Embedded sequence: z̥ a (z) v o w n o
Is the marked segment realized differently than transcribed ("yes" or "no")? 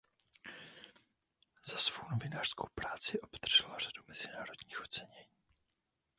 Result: yes